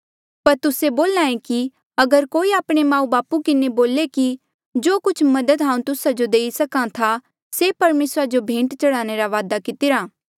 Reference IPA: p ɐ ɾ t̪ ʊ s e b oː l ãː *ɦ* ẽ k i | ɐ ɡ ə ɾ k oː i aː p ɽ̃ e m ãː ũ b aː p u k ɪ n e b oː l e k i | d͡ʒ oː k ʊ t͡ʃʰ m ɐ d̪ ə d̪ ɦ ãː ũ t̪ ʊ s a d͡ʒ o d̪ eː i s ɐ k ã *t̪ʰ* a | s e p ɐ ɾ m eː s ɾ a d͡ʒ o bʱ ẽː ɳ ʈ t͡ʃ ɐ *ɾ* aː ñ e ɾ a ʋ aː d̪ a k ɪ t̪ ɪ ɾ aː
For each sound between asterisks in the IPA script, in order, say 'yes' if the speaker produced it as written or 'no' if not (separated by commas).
no, yes, no